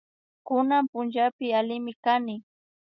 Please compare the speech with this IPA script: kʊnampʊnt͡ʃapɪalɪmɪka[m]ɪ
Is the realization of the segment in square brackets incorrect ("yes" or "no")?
yes